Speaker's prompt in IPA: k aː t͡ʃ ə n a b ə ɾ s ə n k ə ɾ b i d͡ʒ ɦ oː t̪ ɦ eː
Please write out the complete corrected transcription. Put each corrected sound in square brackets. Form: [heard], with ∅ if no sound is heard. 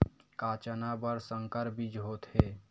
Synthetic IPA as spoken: k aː t͡ʃ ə n a b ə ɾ s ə [ŋ] k ə ɾ b i d͡ʒ ɦ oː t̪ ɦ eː